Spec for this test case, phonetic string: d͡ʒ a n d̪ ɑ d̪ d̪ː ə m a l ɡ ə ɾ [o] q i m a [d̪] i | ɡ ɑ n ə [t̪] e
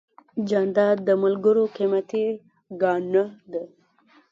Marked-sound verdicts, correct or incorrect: correct, incorrect: t̪, incorrect: d̪

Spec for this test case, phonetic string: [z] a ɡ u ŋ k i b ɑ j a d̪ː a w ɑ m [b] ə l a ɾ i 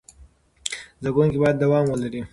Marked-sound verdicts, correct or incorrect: correct, incorrect: w

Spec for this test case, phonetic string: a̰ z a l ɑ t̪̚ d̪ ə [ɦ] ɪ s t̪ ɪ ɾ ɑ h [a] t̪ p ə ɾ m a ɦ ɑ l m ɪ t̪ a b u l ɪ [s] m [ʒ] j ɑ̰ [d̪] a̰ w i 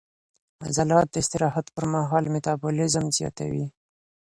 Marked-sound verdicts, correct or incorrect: incorrect: none, correct, incorrect: z, incorrect: z, incorrect: t̪

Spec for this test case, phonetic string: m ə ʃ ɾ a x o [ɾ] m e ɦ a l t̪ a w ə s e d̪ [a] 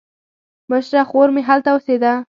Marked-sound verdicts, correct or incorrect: correct, correct

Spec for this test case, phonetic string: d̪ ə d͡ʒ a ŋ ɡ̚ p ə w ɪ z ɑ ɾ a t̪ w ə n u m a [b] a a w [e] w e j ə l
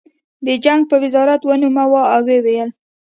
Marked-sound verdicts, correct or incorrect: incorrect: w, correct

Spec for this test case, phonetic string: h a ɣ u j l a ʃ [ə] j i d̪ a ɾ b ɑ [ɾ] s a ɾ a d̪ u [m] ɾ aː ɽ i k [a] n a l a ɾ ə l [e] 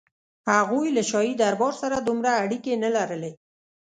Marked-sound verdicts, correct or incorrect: incorrect: ɑ, correct, correct, incorrect: e, correct

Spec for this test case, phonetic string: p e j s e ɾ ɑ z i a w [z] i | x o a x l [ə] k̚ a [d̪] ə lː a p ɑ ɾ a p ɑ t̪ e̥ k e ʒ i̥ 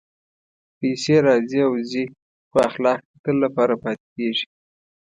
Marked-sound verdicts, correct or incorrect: correct, incorrect: ɑ, incorrect: t̪

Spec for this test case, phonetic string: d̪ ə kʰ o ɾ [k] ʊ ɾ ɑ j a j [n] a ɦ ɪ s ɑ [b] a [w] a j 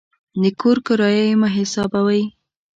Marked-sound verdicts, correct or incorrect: correct, incorrect: m, correct, correct

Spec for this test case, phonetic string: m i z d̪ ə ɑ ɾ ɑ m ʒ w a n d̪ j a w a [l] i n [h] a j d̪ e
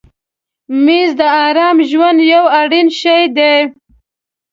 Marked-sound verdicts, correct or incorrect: incorrect: ɽ, incorrect: ʃ

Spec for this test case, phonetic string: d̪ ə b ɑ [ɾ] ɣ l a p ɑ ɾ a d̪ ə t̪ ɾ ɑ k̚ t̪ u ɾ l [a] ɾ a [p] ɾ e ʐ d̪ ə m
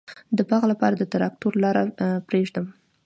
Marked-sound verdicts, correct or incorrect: incorrect: none, incorrect: ɑ, correct

